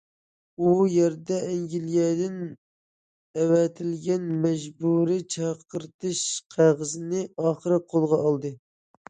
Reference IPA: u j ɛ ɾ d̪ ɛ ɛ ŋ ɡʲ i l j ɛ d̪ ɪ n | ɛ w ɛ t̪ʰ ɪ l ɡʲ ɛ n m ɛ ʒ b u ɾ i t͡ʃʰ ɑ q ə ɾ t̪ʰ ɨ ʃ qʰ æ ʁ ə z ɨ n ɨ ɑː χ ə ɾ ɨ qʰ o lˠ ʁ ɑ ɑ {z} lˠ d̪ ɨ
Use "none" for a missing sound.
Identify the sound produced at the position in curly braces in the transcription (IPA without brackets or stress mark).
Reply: none